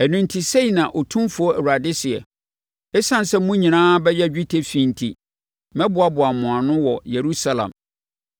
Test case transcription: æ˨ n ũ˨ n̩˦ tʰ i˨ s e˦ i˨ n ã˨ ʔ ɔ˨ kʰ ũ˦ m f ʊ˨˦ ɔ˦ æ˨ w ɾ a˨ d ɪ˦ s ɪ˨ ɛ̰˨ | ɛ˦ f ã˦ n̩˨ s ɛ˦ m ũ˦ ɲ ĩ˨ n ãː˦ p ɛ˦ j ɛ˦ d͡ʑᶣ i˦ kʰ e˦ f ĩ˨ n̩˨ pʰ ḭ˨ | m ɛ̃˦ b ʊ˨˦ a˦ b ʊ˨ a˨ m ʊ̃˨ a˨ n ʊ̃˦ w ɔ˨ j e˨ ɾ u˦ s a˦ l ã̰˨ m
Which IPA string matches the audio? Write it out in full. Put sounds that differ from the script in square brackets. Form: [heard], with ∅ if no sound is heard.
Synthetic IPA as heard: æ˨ n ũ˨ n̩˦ tʰ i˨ s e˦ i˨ n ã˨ ʔ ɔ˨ [tʰ] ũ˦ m f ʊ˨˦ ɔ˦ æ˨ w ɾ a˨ d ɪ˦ s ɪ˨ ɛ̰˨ | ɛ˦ [s] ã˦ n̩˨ s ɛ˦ m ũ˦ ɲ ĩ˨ n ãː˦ [b] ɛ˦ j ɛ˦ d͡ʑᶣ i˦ [tʰ] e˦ f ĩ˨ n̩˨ [tʰ] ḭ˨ | m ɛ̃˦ b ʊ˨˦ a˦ b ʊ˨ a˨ m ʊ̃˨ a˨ n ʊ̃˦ w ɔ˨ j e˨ ɾ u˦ s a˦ l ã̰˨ m